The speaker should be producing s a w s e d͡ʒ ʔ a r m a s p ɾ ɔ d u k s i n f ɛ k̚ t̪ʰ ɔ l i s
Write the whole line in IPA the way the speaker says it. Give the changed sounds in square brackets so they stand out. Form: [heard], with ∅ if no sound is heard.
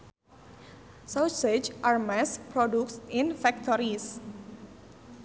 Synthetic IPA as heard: s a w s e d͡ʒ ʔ a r m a s p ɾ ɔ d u k s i n f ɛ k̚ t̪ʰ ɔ [ɾ] i s